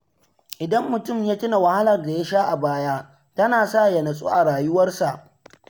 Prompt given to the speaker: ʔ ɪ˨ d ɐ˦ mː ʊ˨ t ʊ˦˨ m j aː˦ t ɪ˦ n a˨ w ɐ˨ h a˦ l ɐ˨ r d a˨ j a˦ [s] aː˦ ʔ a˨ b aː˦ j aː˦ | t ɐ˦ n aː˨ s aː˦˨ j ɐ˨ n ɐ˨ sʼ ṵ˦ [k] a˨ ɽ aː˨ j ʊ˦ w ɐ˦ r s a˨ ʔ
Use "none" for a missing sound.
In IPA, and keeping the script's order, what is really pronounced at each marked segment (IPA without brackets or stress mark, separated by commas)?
ʃ, ʔ